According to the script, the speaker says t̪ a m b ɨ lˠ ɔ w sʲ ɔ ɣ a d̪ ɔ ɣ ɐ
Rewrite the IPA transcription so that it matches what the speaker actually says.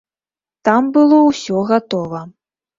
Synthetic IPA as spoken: t̪ a m b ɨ lˠ ɔ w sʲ ɔ ɣ a t̪ ɔ v ɐ